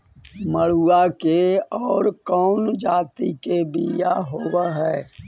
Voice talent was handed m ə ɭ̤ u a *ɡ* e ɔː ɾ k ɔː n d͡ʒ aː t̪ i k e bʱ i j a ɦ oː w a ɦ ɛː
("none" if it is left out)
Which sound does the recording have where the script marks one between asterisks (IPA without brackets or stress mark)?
k